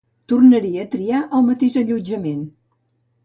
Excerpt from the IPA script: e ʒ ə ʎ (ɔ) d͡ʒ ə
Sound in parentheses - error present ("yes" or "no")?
yes